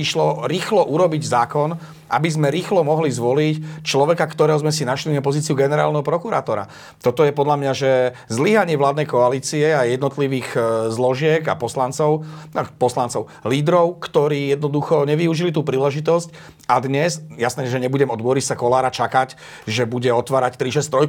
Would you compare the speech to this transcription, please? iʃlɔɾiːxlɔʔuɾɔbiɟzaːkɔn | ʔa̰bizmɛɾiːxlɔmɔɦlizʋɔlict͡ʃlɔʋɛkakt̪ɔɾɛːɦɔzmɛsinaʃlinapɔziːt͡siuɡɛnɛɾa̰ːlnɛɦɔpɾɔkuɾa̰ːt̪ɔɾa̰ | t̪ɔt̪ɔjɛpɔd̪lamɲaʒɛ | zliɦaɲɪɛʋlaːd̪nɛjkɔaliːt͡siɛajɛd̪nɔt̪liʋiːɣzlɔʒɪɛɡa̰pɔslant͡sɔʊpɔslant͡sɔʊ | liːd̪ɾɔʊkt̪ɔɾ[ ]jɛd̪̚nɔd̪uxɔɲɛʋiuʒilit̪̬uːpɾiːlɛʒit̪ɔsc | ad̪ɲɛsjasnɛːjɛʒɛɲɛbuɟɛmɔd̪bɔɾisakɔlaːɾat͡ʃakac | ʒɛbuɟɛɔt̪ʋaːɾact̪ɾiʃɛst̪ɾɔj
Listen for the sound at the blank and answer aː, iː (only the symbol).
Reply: iː